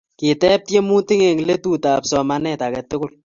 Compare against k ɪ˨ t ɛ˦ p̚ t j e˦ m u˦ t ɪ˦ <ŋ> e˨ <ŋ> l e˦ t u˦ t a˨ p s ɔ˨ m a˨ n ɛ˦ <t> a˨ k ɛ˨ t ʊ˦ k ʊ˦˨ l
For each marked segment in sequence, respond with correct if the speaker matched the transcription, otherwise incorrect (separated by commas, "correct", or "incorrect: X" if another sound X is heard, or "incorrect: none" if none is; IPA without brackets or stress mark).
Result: correct, correct, correct